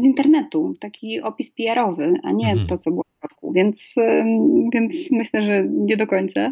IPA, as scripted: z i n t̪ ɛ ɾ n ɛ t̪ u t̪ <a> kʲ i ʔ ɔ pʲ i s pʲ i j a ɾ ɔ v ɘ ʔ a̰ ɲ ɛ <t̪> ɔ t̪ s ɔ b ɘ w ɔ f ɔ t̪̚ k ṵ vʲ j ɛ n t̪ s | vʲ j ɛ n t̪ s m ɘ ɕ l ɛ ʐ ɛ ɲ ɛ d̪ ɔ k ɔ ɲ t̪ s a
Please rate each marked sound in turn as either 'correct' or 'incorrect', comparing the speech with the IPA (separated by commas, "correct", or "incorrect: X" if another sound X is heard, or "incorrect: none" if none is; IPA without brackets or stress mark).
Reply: correct, correct